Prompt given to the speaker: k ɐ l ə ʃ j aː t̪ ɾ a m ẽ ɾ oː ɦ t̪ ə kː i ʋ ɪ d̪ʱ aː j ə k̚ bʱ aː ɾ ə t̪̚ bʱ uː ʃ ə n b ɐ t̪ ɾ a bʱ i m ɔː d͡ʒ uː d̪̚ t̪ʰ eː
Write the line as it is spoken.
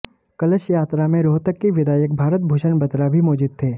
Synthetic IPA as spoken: k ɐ l ə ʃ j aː t̪ ɾ a m ẽ ɾ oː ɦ t̪ ə kː i ʋ ɪ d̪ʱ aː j ə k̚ bʱ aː ɾ ə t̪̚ bʱ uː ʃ ə n b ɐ t̪ ɾ a bʱ i m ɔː d͡ʒ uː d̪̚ t̪ʰ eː